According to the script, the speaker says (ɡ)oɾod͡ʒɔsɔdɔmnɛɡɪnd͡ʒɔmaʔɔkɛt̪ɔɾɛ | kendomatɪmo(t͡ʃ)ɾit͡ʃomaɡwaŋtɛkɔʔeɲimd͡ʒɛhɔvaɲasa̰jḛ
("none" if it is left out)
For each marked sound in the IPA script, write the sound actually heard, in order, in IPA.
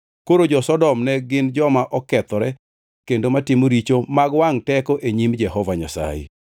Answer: k, none

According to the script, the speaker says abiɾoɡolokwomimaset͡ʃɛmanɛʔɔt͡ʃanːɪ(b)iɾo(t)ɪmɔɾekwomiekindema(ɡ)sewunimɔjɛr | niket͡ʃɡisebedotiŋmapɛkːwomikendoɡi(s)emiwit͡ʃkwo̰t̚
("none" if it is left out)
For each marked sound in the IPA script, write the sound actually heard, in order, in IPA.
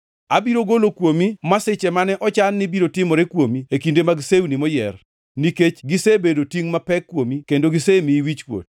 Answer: b, t, ɡ, s

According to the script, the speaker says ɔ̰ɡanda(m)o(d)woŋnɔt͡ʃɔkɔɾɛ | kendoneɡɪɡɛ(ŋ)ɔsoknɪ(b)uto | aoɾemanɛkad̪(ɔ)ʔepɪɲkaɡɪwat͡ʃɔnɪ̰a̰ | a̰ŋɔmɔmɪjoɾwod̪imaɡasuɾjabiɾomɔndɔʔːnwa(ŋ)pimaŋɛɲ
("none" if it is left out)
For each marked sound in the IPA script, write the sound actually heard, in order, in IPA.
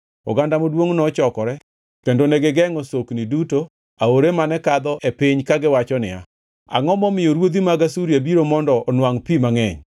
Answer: m, d, ŋ, d, ɔ, ŋ

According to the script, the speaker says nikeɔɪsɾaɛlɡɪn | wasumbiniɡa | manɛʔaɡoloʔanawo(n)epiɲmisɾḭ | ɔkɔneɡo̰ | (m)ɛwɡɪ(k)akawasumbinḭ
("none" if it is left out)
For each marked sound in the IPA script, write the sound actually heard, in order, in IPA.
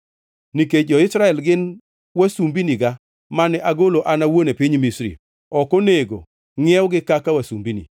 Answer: n, ŋ, k

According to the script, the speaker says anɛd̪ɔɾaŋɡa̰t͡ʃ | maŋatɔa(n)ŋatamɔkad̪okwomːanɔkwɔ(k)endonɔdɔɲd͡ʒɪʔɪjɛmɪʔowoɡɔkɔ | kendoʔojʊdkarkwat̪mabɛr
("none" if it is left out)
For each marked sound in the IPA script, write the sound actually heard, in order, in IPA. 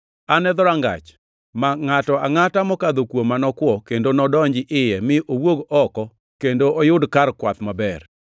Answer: none, k

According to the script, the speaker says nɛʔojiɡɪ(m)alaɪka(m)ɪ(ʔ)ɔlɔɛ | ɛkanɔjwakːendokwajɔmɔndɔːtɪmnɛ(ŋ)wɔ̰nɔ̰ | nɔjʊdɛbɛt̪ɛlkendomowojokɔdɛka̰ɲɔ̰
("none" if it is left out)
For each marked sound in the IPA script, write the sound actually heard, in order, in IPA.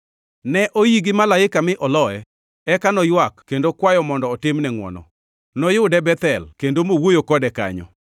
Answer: m, m, ʔ, ŋ

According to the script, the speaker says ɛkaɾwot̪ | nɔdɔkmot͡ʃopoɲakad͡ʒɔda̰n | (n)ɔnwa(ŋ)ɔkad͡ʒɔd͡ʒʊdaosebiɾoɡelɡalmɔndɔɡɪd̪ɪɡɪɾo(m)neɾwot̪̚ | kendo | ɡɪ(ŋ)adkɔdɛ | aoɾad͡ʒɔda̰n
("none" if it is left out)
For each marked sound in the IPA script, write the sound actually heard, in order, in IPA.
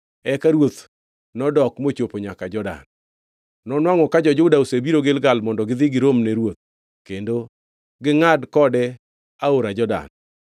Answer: n, ŋ, m, ŋ

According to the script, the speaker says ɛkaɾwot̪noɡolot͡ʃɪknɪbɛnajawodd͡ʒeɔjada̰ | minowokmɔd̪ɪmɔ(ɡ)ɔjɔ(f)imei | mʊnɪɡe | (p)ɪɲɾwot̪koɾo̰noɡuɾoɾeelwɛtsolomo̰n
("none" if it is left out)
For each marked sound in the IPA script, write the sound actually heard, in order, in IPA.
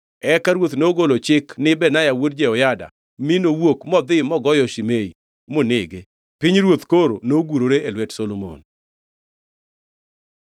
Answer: ɡ, ʃ, p

